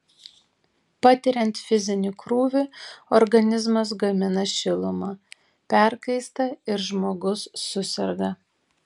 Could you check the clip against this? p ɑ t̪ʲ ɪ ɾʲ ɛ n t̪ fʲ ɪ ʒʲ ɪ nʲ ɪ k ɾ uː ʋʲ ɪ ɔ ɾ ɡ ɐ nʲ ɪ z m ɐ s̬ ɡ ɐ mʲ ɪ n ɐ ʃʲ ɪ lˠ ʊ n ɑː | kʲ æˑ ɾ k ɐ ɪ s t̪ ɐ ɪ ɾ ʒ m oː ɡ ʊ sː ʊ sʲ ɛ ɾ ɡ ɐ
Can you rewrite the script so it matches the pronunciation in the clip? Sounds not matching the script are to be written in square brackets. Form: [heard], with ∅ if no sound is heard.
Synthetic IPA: p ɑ t̪ʲ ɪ ɾʲ ɛ n t̪ fʲ ɪ [zʲ] ɪ nʲ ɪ k ɾ uː ʋʲ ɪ ɔ ɾ ɡ ɐ nʲ ɪ z m ɐ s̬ ɡ ɐ mʲ ɪ n ɐ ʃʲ ɪ lˠ ʊ [m] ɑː | [pʲ] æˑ ɾ k ɐ ɪ s t̪ ɐ ɪ ɾ ʒ m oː ɡ ʊ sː ʊ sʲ ɛ ɾ ɡ ɐ